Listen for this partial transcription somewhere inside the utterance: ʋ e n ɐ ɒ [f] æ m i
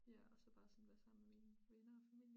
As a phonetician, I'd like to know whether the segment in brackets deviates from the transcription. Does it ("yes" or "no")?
no